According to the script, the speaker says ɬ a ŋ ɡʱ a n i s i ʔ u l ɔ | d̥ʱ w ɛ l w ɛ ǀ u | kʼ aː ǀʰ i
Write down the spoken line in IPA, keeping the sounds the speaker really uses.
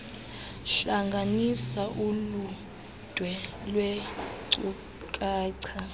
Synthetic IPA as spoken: ɬ a ŋ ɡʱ a n i s a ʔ u l u | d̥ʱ w ɛ l w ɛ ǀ u | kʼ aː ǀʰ a